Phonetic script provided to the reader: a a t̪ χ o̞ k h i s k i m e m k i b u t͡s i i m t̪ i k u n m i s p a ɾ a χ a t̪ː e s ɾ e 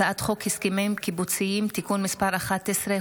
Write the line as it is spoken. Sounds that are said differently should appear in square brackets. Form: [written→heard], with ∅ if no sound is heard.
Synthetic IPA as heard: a a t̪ χ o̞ k h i s k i m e m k i b u t͡s i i m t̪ i k u n m i s p a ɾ a χ a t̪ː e s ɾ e